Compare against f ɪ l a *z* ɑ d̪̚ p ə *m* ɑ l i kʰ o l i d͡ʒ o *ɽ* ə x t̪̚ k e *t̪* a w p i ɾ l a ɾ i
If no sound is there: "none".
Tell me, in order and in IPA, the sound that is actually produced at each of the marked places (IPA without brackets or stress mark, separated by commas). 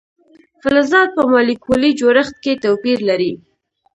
z, m, ɾ, t̪